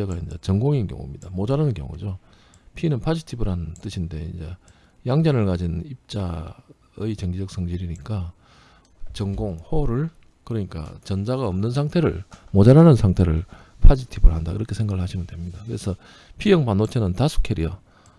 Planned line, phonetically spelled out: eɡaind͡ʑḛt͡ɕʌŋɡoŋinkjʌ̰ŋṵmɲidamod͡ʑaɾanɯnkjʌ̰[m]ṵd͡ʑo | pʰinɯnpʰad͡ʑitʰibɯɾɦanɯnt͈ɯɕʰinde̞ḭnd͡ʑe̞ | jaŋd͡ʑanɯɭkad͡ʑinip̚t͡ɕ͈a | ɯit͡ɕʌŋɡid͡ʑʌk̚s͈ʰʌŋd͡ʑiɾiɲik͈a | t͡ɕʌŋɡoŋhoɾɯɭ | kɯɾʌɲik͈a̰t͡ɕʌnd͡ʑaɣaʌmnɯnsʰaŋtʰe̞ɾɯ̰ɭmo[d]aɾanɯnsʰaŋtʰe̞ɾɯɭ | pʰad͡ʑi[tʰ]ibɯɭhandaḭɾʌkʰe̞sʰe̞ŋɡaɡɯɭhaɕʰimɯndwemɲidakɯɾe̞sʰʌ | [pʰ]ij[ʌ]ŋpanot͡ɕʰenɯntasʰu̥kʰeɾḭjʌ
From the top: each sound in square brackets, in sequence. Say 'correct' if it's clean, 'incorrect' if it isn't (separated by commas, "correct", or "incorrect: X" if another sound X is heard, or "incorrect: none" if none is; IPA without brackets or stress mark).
incorrect: ŋ, incorrect: d͡ʑ, correct, correct, correct